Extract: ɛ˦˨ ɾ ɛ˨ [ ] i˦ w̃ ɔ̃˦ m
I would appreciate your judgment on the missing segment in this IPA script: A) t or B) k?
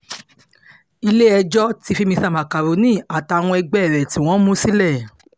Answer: A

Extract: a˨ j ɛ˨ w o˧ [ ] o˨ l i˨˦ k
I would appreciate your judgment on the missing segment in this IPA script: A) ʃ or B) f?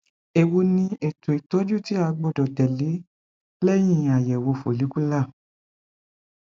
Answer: B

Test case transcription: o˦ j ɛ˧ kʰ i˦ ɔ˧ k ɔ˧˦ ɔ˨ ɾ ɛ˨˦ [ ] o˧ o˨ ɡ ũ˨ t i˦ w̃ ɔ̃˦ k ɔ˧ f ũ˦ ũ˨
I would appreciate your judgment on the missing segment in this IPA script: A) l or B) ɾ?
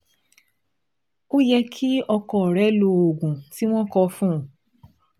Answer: A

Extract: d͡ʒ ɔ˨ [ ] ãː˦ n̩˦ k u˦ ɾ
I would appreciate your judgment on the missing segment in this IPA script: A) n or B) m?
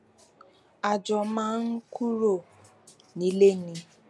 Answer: B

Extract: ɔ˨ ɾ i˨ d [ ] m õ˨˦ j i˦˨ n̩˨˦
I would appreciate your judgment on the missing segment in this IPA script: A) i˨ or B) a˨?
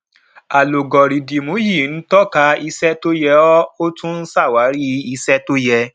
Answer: A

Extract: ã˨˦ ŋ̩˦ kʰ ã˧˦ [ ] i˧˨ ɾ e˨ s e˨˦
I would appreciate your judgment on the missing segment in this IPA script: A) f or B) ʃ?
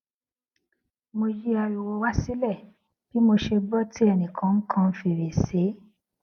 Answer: A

